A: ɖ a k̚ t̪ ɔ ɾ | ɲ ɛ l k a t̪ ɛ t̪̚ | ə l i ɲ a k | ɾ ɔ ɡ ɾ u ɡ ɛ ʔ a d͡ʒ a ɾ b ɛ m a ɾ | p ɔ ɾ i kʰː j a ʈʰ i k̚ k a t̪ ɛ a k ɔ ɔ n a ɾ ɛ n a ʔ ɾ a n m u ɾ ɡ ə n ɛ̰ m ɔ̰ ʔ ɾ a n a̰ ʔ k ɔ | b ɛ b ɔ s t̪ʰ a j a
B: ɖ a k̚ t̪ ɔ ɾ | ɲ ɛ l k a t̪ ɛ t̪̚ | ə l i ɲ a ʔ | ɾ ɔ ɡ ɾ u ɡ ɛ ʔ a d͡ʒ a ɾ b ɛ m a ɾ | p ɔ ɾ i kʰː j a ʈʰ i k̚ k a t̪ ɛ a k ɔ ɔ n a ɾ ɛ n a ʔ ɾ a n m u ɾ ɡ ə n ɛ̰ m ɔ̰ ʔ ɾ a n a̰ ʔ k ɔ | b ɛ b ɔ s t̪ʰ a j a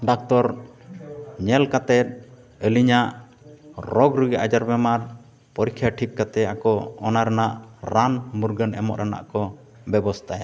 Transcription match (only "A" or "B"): B